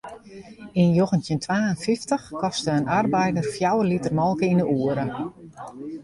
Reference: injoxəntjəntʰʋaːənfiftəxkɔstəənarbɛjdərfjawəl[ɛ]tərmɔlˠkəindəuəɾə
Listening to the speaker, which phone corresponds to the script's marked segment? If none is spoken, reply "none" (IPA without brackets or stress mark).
i